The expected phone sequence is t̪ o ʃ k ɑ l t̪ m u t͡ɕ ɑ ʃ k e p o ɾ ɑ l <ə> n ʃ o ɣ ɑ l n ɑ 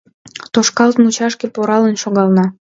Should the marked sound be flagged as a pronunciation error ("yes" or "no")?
no